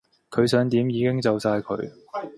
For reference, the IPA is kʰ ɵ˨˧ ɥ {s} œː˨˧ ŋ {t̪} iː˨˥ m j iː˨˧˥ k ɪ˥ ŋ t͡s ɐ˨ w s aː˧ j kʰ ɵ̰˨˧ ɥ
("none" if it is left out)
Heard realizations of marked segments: s, t̪

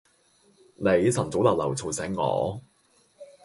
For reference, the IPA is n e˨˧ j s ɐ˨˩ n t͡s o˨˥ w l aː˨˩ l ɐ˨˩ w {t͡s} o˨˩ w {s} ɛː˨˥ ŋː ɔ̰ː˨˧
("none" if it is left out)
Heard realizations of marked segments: t͡sʰ, s

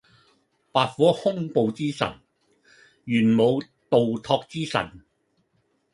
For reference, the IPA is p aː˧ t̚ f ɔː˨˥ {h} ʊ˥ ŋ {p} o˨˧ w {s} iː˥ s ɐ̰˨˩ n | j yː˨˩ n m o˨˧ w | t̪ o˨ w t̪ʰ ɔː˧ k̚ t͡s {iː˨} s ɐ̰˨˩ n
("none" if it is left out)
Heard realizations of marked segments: h, p, t͡s, iː˥

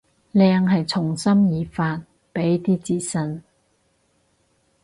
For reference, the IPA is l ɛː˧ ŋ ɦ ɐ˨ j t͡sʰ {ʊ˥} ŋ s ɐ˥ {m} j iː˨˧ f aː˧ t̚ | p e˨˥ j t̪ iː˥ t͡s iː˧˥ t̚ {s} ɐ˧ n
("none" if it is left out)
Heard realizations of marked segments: ʊ˨˩, m, s

